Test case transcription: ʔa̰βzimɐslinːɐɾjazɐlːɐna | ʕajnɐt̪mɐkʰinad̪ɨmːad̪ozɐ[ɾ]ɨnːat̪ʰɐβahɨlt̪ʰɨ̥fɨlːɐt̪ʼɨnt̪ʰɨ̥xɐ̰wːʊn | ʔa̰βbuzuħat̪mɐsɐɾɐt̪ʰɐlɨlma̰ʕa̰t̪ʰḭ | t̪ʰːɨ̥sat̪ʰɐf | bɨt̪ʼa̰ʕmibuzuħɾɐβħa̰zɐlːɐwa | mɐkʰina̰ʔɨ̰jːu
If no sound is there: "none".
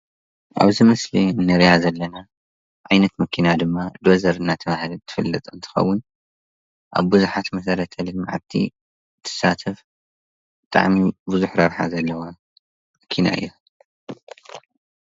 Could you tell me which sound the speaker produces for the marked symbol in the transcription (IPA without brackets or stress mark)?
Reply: ɾ